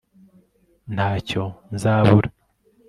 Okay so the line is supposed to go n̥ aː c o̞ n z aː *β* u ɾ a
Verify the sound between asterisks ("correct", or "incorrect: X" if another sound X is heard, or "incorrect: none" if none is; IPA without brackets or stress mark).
correct